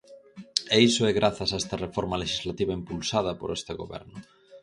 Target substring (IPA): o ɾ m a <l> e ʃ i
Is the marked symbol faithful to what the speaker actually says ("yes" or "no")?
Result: yes